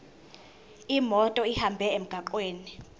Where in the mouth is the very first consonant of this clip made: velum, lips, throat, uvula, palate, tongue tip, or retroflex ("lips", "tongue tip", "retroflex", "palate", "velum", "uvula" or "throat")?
lips